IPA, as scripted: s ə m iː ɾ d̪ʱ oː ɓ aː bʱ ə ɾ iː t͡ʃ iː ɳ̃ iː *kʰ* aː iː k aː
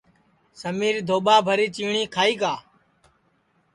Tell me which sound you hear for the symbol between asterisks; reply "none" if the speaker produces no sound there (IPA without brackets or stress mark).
kʰ